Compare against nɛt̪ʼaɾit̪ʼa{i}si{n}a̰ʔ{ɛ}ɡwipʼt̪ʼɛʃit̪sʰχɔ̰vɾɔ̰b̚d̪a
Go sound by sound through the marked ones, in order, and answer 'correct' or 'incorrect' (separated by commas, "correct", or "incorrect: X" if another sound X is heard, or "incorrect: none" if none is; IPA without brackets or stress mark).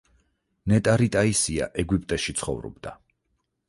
correct, incorrect: none, correct